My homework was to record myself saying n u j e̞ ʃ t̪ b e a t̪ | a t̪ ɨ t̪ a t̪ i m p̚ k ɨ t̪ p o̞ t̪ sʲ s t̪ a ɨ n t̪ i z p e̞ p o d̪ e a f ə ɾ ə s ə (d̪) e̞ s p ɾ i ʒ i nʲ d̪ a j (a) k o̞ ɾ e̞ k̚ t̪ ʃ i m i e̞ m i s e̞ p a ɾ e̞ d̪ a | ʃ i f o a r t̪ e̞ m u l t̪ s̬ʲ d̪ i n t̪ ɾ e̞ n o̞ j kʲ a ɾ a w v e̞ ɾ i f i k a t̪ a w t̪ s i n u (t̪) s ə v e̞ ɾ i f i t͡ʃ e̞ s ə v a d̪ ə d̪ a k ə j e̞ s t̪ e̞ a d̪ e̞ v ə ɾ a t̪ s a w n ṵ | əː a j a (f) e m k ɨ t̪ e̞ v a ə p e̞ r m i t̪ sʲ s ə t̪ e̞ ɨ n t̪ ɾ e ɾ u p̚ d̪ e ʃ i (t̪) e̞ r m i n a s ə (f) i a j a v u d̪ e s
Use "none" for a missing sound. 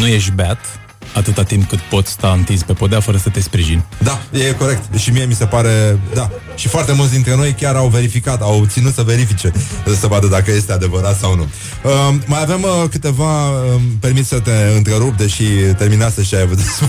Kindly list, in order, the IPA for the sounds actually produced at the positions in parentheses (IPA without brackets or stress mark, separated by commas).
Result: t̪, e, t̪, v, t̪, ʃ